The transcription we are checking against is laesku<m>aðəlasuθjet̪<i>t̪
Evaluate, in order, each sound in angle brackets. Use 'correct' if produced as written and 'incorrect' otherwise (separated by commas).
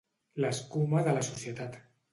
correct, incorrect